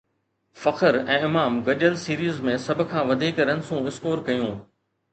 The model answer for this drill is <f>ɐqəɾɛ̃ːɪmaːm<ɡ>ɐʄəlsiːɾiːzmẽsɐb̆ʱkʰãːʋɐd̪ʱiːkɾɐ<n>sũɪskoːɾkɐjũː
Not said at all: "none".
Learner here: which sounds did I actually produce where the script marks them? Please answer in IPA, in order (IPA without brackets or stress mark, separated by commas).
f, ɡ, n